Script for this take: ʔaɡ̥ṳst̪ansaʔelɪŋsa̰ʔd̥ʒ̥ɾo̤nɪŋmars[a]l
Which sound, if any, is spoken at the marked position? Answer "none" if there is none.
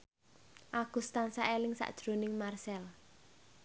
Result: ɛ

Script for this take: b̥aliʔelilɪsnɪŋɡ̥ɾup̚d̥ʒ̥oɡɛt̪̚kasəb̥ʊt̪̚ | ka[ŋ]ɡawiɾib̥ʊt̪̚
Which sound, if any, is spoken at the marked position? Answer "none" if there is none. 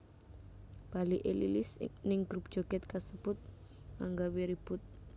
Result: ŋ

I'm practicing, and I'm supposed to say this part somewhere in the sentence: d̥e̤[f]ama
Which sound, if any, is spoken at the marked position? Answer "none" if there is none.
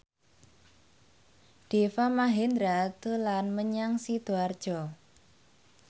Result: f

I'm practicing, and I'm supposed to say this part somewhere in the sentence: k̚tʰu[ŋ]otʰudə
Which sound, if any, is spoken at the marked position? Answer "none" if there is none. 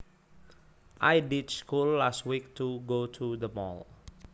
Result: ɡ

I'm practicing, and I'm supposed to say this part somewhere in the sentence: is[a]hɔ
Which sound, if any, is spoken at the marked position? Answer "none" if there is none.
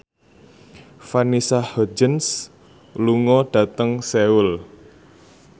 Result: a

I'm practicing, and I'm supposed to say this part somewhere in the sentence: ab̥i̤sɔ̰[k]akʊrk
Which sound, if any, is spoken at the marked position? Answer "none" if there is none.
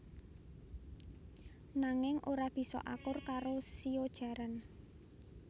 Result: ʔ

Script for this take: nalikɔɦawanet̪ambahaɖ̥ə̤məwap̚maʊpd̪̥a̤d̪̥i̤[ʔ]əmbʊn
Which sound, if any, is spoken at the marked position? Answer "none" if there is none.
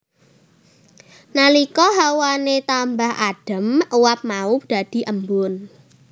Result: ʔ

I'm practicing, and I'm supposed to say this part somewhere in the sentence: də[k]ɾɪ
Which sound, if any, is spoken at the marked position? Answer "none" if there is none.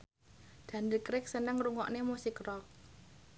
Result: k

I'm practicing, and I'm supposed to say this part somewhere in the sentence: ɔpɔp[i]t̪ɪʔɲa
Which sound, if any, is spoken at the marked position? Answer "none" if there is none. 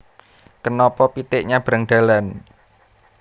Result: i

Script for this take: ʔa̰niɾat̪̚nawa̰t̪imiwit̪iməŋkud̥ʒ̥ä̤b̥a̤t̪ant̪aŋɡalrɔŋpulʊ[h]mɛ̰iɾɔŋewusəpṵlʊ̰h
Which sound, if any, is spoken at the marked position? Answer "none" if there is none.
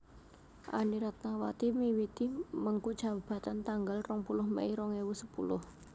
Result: h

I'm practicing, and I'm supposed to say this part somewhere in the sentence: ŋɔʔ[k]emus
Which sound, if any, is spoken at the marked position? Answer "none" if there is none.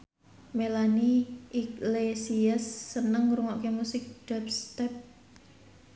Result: k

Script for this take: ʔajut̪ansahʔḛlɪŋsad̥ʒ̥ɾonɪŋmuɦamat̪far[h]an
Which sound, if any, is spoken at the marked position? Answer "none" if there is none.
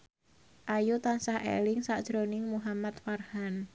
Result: h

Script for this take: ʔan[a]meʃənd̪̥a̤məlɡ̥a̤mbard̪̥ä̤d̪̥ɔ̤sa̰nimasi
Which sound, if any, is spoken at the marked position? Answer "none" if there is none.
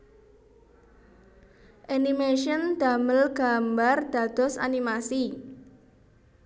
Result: i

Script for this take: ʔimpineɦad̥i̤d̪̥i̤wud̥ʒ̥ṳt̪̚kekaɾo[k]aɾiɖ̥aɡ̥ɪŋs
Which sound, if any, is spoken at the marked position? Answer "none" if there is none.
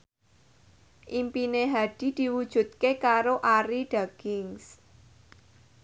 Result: ʔ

